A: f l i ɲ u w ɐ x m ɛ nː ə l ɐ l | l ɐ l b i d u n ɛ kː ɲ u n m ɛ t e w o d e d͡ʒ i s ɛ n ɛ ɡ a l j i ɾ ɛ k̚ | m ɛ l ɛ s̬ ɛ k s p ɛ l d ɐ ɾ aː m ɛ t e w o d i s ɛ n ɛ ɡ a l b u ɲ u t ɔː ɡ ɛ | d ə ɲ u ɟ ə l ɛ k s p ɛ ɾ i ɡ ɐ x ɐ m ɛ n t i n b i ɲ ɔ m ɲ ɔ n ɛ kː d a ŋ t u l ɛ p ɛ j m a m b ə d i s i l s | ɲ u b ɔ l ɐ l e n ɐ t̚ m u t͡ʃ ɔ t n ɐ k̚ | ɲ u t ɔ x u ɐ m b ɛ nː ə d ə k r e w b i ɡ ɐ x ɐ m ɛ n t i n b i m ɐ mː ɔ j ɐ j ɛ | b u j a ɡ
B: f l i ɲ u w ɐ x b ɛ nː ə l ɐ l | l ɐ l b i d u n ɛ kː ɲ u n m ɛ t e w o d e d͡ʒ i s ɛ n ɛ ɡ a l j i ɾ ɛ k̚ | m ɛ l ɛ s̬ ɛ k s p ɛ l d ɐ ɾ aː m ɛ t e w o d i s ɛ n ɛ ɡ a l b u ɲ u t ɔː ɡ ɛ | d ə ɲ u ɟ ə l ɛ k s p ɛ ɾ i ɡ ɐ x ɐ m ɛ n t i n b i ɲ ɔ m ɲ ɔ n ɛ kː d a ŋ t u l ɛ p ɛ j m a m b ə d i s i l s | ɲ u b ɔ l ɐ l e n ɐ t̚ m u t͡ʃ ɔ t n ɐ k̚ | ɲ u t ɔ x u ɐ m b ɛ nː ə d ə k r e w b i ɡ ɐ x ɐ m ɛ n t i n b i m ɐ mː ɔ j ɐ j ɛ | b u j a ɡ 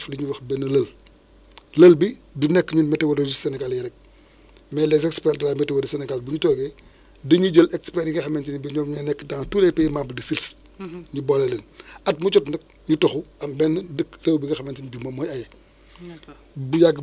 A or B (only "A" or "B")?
B